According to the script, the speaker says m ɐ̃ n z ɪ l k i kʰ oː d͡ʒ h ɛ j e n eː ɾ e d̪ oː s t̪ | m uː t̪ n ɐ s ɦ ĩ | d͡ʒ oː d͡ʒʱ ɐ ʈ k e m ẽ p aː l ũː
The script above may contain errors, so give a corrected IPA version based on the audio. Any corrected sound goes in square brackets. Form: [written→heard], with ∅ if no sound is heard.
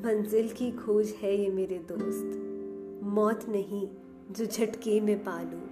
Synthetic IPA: m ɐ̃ n z ɪ l k i kʰ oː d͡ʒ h ɛ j e [n→m] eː ɾ e d̪ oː s t̪ | m [uː→ɔː] t̪ n ɐ [s→∅] ɦ ĩ | d͡ʒ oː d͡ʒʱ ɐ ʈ k e m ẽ p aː l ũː